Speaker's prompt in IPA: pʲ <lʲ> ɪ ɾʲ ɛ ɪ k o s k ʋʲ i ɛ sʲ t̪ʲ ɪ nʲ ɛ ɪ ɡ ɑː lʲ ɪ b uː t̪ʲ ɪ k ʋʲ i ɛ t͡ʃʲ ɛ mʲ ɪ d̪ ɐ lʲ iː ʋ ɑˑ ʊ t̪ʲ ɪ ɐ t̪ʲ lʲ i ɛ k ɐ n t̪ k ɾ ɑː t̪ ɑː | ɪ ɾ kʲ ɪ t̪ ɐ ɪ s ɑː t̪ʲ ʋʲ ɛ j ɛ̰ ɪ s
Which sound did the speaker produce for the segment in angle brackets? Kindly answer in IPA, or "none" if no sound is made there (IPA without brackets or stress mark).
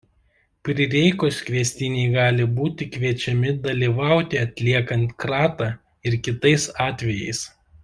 ɾʲ